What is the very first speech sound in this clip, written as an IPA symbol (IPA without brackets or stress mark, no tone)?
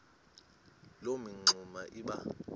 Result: l